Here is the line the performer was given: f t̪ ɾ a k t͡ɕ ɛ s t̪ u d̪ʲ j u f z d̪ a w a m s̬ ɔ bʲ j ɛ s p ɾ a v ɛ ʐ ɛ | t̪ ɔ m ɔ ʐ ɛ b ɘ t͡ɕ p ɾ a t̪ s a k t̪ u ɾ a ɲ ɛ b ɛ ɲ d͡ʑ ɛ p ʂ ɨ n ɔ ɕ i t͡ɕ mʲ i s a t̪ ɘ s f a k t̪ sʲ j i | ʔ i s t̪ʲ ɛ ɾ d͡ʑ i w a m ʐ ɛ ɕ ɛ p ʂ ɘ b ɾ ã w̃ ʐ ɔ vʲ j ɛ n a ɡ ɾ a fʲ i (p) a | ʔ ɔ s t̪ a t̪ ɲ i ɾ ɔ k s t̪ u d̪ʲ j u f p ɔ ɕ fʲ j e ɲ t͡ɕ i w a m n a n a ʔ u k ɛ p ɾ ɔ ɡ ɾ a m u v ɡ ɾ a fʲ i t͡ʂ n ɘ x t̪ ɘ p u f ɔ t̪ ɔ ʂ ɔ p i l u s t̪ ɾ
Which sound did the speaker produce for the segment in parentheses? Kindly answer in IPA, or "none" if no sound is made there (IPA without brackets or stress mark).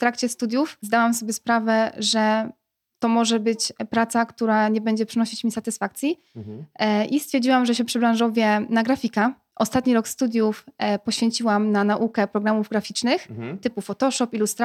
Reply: k